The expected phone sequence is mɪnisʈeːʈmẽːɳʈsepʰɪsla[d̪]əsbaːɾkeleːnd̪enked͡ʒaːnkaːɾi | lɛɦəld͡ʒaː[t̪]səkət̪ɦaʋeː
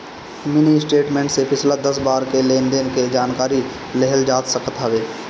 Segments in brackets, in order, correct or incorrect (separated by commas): correct, correct